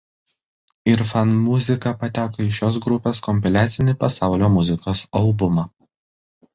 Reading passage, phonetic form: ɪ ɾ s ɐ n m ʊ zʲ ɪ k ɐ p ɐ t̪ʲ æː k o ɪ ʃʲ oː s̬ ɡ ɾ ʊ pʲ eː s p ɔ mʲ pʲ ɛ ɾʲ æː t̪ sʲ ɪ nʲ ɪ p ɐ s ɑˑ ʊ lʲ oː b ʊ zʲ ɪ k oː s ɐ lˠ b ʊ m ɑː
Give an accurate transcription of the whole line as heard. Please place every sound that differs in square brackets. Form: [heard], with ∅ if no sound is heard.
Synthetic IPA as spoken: ɪ ɾ [f] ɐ n m ʊ zʲ ɪ k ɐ p ɐ t̪ʲ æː k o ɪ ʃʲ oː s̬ ɡ ɾ ʊ pʲ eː s [k] ɔ mʲ pʲ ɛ [lʲ] æː t̪ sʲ ɪ nʲ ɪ p ɐ s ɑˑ ʊ lʲ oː [m] ʊ zʲ ɪ k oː s ɐ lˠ b ʊ m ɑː